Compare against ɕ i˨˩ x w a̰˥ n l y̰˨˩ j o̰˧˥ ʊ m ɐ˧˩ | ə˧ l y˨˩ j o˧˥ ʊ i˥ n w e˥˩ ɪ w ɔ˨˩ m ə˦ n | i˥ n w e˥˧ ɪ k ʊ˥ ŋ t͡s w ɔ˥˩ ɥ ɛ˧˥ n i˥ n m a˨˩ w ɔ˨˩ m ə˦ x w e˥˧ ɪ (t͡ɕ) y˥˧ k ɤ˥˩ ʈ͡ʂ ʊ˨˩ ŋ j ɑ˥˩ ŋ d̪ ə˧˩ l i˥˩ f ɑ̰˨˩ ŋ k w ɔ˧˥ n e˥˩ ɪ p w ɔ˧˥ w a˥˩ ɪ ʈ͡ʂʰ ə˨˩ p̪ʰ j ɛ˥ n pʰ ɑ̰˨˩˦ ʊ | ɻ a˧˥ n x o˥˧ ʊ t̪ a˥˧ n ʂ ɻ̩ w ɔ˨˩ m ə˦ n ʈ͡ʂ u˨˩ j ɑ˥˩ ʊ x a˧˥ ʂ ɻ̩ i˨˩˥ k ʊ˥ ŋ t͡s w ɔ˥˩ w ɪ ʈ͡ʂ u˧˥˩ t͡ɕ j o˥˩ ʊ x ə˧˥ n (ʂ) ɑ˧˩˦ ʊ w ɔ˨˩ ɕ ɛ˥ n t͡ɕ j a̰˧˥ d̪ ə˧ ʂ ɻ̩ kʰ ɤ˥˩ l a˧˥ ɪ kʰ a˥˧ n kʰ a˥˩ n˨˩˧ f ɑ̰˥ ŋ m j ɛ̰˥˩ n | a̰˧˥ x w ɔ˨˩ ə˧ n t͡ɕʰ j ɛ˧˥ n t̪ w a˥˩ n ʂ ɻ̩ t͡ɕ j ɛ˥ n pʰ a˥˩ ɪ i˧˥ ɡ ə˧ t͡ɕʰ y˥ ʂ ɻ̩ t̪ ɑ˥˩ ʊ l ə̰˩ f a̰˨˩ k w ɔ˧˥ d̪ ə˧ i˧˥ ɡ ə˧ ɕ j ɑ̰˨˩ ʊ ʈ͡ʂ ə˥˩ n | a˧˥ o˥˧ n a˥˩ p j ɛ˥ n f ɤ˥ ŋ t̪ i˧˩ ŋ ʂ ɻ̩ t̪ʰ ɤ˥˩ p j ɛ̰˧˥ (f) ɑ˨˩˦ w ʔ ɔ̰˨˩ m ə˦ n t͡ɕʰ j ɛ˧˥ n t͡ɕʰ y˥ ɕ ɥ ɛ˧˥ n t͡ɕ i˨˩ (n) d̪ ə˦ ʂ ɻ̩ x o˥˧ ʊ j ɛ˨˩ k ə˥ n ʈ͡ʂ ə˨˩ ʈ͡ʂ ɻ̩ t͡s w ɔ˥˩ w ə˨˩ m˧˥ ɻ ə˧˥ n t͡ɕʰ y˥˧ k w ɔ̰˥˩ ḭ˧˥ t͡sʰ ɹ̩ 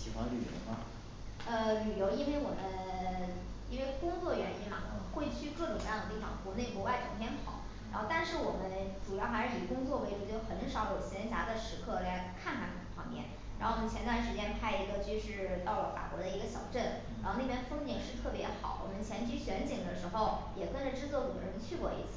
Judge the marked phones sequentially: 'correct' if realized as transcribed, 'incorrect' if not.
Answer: incorrect, correct, incorrect, incorrect

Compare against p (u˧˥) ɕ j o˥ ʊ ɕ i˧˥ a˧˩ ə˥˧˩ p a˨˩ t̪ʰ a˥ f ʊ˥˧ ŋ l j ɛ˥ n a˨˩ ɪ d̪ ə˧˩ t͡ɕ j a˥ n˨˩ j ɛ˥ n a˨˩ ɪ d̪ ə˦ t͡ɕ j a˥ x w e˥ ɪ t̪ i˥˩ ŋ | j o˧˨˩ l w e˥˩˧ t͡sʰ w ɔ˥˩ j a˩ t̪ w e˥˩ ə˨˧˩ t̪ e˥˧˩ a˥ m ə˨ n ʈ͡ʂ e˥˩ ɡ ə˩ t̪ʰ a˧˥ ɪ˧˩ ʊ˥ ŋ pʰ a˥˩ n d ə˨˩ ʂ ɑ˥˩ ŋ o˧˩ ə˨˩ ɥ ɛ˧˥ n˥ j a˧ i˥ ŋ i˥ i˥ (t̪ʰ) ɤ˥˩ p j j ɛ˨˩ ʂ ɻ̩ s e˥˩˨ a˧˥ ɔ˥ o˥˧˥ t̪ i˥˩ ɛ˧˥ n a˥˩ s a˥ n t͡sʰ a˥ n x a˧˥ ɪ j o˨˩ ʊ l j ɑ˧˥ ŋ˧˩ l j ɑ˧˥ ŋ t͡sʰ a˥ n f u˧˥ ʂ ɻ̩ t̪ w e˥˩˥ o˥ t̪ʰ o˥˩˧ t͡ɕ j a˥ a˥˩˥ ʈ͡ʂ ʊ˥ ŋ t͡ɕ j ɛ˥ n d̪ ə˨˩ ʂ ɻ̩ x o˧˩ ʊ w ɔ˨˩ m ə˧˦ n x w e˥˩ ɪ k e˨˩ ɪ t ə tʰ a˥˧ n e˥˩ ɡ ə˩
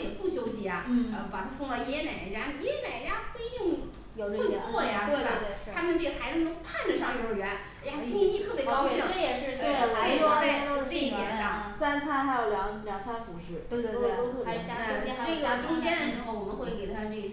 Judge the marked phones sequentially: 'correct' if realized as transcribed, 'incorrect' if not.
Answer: incorrect, correct

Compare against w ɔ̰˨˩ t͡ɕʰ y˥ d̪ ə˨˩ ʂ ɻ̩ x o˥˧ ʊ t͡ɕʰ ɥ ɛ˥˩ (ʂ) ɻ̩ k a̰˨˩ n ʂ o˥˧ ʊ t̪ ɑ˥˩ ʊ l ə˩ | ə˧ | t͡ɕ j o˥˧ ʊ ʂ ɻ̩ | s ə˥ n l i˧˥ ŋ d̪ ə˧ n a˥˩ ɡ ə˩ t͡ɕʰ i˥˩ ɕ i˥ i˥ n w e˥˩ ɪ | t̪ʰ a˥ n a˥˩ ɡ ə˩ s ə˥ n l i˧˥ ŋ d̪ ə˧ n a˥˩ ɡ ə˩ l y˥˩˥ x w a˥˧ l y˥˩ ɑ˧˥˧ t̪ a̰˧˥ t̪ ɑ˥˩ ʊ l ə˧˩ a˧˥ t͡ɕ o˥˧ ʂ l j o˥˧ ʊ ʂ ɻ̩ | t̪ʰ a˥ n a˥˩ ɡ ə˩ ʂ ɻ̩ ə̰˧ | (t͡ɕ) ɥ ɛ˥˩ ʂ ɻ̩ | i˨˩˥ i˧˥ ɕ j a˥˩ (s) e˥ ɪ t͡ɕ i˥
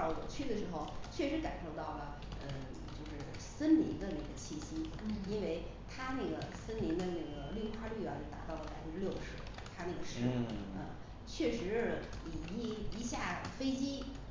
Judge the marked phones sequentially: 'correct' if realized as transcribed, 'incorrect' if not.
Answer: correct, incorrect, incorrect

